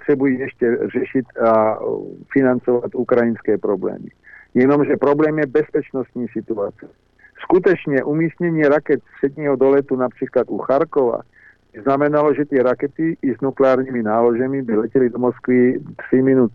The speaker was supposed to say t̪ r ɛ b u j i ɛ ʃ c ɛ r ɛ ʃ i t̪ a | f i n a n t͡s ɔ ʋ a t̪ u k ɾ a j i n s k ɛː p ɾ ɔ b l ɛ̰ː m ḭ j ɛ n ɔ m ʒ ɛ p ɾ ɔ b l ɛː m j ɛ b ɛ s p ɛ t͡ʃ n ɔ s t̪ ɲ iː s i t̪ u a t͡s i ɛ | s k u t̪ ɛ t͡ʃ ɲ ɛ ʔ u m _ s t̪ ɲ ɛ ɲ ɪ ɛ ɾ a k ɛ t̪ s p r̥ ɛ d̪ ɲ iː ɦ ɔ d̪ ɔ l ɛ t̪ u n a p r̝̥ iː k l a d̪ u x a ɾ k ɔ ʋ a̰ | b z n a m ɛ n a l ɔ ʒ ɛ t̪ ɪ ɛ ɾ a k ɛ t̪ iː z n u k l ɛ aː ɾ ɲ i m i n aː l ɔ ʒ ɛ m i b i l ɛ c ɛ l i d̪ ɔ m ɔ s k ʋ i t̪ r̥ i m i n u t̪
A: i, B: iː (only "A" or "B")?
B